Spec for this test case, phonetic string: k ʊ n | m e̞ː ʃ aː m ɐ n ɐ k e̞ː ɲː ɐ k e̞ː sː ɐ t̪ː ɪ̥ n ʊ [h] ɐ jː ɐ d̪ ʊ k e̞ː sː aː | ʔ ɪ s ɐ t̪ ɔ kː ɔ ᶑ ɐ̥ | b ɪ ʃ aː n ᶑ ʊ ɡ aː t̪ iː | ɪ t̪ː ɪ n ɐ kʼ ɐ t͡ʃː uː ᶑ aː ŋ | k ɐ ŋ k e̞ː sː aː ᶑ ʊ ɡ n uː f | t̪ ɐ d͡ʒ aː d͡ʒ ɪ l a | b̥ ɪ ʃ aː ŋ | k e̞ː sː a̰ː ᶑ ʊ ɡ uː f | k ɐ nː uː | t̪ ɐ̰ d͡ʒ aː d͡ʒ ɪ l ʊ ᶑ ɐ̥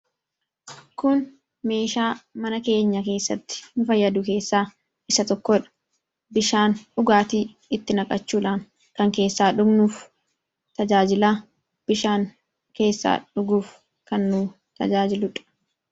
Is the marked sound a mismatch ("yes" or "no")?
yes